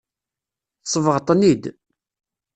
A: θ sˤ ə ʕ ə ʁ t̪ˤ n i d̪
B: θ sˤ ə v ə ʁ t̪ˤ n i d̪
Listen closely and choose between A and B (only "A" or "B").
B